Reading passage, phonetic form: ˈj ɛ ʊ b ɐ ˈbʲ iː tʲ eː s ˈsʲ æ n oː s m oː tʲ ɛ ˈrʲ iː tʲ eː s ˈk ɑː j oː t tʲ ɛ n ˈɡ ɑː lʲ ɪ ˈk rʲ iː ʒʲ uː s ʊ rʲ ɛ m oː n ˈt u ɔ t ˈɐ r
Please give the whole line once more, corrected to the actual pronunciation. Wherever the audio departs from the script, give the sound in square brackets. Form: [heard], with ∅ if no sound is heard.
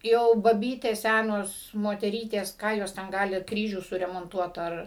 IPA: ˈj ɛ ʊ b ɐ ˈbʲ iː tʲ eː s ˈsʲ æ n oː s m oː tʲ ɛ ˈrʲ iː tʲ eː s ˈk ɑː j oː [s] tʲ ɛ n ˈɡ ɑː lʲ ɪ ˈk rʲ iː ʒʲ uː s ʊ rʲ ɛ m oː n ˈt u ɔ t ˈɐ r